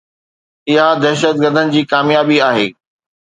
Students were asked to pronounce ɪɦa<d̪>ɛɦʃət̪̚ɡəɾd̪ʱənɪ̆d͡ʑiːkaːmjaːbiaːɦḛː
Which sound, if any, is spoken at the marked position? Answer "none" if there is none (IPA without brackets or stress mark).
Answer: d̪